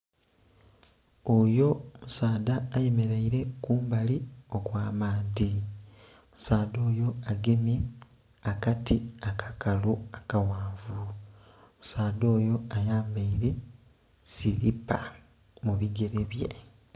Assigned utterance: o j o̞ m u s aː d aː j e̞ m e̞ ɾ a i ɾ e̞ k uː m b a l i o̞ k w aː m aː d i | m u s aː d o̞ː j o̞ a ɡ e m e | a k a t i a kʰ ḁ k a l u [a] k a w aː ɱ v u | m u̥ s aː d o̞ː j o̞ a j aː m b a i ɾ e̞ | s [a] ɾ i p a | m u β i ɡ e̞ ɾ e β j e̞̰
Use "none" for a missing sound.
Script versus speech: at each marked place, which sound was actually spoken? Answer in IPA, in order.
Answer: a, i

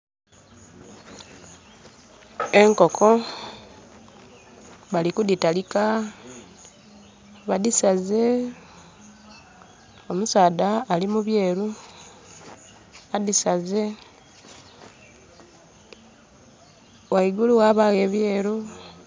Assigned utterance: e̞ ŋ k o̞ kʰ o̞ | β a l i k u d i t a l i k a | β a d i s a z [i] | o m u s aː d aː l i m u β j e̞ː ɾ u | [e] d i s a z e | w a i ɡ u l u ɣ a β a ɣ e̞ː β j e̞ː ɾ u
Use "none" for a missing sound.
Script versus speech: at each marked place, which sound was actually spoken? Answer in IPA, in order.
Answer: e, a

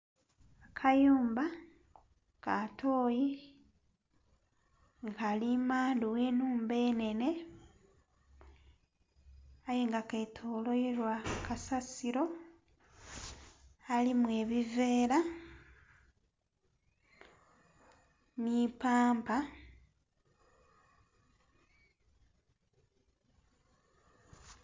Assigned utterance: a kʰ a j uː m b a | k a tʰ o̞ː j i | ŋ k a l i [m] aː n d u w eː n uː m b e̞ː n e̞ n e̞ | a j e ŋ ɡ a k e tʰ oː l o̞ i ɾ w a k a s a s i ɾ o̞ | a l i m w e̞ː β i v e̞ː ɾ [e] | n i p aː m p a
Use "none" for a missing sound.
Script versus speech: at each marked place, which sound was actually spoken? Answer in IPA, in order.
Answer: m, a

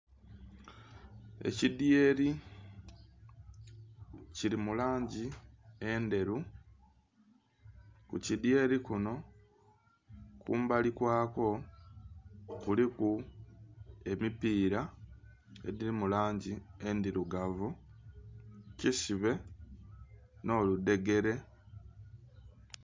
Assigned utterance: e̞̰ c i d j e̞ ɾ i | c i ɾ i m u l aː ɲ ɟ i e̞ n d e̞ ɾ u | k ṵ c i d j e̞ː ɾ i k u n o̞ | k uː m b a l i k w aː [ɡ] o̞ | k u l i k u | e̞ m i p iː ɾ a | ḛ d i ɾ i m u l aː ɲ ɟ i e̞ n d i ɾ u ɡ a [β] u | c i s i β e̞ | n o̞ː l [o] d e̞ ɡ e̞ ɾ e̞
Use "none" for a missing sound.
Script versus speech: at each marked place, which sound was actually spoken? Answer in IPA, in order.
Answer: k, v, u

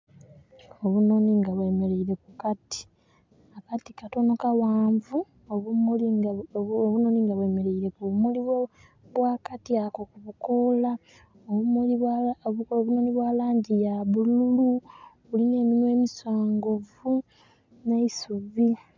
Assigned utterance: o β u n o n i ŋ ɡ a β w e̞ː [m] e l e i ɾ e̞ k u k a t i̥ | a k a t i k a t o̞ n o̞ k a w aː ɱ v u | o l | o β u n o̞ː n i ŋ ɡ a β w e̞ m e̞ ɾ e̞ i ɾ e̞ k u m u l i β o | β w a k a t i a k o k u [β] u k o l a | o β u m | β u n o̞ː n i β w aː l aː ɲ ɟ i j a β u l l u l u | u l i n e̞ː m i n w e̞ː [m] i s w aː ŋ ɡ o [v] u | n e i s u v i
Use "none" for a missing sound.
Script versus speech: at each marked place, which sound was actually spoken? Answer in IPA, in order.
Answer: m, β, m, v

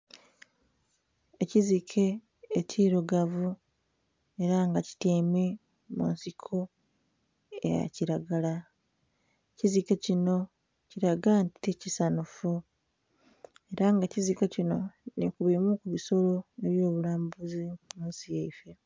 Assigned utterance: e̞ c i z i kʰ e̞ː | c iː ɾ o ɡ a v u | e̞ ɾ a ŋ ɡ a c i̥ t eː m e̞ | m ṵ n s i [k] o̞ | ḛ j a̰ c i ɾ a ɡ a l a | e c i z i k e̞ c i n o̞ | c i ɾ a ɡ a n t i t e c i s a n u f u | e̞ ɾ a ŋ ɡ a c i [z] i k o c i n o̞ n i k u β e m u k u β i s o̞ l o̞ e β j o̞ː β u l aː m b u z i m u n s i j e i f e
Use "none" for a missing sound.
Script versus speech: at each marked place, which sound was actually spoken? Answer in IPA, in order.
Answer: kʰ, z

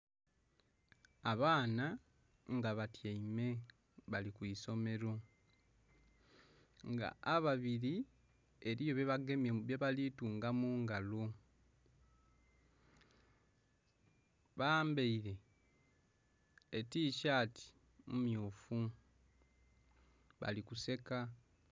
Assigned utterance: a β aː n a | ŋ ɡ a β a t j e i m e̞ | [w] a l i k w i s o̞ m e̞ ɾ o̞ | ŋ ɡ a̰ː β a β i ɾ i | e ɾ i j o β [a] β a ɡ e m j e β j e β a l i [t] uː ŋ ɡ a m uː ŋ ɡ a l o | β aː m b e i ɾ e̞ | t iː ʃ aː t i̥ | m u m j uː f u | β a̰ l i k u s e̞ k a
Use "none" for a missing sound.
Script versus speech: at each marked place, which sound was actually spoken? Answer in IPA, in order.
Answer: β, e, t

